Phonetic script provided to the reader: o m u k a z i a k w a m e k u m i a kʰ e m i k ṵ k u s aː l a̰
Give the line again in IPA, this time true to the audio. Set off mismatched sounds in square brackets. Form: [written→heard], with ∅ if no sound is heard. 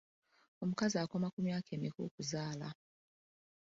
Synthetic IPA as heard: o m u k a z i a k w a m [e→a] k u m i a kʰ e m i k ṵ k u [s→z] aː l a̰